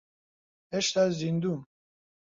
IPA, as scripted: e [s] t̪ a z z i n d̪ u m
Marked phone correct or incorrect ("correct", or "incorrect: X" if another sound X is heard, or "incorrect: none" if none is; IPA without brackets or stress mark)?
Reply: incorrect: ʃ